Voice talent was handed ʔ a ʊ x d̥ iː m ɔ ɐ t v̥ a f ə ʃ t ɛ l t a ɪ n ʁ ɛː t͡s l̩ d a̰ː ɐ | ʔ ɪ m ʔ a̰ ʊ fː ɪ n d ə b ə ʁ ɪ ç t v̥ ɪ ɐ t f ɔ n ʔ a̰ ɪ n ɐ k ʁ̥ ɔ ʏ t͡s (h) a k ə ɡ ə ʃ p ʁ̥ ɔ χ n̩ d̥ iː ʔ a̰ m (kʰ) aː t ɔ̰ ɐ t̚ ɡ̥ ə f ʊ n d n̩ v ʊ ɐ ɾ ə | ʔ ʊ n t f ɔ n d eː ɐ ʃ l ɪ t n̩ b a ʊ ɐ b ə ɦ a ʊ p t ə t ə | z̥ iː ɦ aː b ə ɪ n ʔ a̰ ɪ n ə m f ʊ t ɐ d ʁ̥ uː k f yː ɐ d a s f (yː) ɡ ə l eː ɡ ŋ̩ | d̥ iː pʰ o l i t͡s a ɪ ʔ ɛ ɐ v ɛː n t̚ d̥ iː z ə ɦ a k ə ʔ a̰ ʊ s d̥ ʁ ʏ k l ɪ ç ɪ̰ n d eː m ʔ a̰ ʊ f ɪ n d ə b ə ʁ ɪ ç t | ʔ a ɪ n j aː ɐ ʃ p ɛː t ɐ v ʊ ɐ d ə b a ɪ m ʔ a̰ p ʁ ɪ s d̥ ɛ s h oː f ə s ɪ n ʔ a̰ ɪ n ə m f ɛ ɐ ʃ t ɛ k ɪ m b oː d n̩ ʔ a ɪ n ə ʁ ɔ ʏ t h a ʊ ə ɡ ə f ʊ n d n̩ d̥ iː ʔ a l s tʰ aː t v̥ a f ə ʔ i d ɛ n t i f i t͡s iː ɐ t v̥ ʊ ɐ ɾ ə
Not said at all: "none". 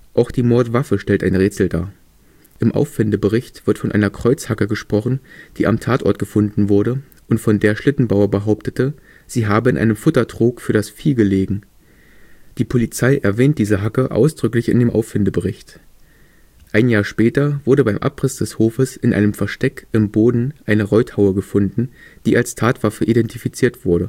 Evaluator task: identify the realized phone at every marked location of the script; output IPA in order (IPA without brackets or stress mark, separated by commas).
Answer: h, tʰ, iː